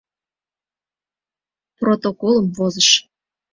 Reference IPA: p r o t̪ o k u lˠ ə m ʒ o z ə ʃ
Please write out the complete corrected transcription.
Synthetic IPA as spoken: p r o t̪ o k o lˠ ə m v o z ə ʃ